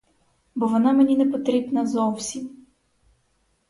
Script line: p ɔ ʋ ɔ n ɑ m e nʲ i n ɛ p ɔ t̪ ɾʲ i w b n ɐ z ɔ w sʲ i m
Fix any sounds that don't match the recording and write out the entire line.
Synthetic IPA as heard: b ɔ ʋ ɔ n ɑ m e nʲ i n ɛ p ɔ t̪ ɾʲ i b n ɐ z ɔ w sʲ i m